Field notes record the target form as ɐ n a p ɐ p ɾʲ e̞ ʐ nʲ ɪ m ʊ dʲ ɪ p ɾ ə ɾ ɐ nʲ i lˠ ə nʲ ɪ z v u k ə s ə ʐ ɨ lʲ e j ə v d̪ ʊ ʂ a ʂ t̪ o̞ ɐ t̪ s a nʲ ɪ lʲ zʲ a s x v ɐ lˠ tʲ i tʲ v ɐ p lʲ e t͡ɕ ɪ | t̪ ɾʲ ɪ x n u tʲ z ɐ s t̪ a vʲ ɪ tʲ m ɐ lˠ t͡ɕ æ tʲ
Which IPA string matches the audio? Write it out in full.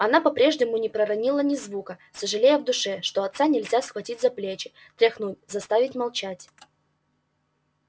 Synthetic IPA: ɐ n a p ɐ p ɾʲ e̞ ʐ nʲ ɪ m ʊ nʲ ɪ p ɾ ə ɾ ɐ nʲ i lˠ ə nʲ ɪ z v u k ə s ə ʐ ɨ lʲ e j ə v d̪ ʊ ʂ ɛ ʂ t̪ o̞ ɐ t̪ s a nʲ ɪ lʲ zʲ a s x v ɐ tʲ i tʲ z ɐ p lʲ e t͡ɕ ɪ | t̪ ɾʲ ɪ x n u tʲ z ɐ s t̪ a vʲ ɪ tʲ m ɐ lˠ t͡ɕ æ tʲ